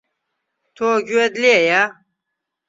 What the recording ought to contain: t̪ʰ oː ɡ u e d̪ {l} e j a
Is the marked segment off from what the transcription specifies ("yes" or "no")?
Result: no